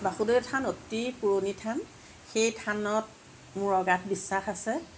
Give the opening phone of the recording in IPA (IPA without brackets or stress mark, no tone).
b